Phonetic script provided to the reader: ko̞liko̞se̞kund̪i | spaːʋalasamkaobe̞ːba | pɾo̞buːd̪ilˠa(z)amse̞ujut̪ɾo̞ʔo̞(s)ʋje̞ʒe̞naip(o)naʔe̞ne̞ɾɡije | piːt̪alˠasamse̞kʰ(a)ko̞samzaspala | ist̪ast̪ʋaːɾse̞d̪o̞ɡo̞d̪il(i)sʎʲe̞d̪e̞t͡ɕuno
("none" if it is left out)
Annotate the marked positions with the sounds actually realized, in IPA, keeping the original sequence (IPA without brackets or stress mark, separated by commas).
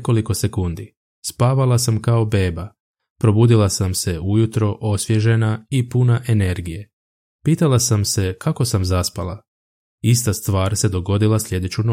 s, s, u, a, a